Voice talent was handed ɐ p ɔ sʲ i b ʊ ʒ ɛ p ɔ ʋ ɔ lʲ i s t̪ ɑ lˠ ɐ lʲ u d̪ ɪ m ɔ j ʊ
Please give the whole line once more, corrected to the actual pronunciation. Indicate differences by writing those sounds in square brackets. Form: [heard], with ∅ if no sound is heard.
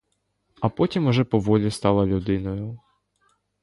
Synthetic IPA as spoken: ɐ p ɔ [tʲ] i [m] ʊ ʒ ɛ p ɔ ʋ ɔ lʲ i s t̪ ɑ lˠ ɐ lʲ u d̪ ɪ [n] ɔ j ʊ